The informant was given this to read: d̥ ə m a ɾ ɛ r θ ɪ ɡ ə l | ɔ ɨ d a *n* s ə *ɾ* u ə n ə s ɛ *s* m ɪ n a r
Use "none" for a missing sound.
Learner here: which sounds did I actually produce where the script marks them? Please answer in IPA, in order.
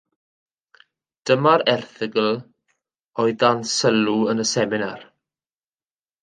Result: n, l, none

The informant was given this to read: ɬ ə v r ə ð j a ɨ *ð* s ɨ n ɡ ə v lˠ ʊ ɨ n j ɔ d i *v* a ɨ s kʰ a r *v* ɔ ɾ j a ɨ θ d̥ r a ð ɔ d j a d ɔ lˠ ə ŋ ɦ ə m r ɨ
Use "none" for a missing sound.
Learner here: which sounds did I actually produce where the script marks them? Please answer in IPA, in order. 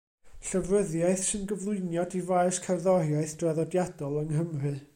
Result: θ, v, ð

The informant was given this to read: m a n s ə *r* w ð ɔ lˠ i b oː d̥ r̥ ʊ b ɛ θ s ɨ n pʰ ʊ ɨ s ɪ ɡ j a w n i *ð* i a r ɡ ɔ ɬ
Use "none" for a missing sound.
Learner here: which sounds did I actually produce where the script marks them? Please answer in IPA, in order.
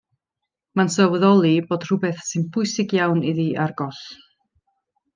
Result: none, ð

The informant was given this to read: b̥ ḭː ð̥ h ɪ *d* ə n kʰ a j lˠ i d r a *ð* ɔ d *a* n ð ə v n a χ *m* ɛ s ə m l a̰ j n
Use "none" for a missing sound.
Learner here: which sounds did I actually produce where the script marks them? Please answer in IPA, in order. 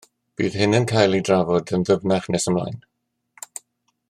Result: n, v, ə, n

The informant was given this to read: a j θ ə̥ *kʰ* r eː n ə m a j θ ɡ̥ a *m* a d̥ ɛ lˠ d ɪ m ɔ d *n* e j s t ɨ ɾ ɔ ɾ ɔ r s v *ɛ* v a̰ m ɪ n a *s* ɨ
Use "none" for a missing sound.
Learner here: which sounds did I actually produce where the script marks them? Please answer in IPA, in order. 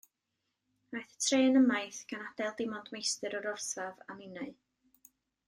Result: tʰ, n, m, a, none

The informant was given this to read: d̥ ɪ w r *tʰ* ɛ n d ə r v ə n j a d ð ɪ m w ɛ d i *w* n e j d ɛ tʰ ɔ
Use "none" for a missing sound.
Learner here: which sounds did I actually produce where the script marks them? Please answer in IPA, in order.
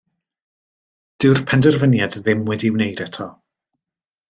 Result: pʰ, w

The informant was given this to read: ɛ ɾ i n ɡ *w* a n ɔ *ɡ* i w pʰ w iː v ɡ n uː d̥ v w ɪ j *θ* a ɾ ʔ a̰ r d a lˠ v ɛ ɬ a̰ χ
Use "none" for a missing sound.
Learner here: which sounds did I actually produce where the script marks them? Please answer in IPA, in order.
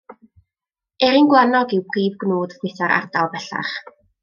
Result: w, ɡ, θ

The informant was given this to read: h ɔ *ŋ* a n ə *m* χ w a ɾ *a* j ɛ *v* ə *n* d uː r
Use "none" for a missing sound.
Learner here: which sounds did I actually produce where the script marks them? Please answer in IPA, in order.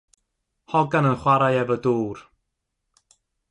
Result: ɡ, n, a, v, none

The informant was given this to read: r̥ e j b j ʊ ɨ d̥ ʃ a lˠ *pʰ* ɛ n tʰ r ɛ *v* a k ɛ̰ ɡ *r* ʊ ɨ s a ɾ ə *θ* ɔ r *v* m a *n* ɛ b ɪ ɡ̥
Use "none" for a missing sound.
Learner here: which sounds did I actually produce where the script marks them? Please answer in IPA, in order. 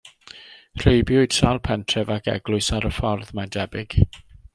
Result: pʰ, v, l, f, ð, d

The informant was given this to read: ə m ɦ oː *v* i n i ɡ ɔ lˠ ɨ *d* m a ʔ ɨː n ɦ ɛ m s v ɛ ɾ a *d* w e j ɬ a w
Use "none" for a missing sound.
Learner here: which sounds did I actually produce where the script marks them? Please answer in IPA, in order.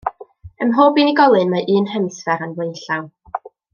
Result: b, n, n

